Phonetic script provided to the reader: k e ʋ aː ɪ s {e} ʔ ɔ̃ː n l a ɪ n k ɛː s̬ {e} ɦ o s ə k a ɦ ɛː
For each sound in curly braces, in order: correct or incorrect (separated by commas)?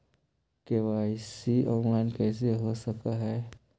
incorrect, correct